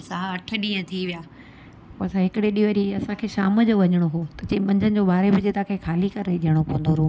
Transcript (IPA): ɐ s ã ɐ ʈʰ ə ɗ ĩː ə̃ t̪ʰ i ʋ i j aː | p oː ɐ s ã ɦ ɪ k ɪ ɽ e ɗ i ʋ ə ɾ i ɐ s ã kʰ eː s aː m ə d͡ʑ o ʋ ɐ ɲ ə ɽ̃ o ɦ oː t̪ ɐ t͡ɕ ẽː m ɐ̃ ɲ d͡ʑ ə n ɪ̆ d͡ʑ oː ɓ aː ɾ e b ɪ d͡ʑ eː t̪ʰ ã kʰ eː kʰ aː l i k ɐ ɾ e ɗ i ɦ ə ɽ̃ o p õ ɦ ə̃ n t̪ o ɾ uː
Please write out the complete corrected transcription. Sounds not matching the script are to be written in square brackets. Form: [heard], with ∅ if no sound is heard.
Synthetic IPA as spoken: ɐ s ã ɐ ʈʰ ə ɗ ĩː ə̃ t̪ʰ i ʋ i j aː | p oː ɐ s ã ɦ ɪ k ɪ ɽ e ɗ i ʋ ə ɾ i ɐ s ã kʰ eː [ʃ] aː m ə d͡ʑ o ʋ ɐ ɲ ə ɽ̃ o ɦ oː t̪ ɐ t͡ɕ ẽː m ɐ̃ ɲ d͡ʑ ə n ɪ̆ d͡ʑ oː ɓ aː ɾ e b ɪ d͡ʑ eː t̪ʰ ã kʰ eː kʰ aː l i k ɐ ɾ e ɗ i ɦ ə ɽ̃ o p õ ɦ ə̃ n [d̪] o ɾ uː